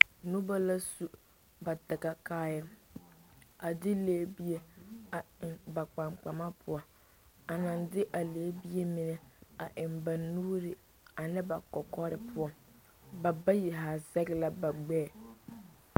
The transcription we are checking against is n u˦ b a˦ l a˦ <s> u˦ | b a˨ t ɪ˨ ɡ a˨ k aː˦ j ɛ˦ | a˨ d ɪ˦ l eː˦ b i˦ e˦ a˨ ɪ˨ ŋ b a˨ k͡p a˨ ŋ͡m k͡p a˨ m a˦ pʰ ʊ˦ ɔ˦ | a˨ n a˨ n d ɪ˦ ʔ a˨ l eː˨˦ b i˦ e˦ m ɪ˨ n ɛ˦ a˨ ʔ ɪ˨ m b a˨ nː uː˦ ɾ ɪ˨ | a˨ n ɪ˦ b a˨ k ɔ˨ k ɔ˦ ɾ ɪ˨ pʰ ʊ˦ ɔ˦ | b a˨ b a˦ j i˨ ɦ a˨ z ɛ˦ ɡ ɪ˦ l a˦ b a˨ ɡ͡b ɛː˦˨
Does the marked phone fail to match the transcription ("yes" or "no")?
no